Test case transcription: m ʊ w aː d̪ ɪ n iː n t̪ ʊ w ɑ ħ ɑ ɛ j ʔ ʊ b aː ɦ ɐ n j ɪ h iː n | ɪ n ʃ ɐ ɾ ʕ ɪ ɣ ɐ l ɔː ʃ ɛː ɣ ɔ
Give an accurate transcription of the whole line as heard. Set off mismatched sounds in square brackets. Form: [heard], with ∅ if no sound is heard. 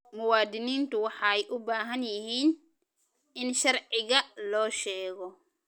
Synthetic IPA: m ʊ w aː d̪ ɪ n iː n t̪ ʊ w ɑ ħ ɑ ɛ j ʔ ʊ b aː ɦ ɐ n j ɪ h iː n | ɪ n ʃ ɐ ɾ ʕ ɪ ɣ ɐ l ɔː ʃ ɛː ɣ ɔ